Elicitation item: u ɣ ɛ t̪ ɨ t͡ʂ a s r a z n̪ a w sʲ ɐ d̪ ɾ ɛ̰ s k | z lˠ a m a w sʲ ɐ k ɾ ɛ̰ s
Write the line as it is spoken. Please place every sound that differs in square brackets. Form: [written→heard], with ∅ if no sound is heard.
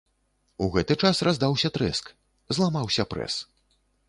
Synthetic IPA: u ɣ ɛ t̪ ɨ t͡ʂ a s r a z [n̪→d̪] a w sʲ ɐ [d̪→t̪] ɾ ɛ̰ s k | z lˠ a m a w sʲ ɐ [k→p] ɾ ɛ̰ s